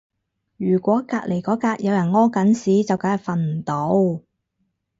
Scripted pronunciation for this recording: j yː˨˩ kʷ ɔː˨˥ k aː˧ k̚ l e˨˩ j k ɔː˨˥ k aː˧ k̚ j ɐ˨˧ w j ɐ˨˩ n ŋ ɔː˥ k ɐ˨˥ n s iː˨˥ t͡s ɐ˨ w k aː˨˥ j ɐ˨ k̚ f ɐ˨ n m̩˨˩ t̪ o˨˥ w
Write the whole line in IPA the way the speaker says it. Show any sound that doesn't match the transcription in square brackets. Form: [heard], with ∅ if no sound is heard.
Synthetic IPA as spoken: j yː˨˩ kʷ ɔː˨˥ k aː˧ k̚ l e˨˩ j k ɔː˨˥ k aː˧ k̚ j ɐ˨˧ w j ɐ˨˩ n ŋ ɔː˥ k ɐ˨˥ n s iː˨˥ t͡s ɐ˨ w k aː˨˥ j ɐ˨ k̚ f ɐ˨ n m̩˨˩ t̪ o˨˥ w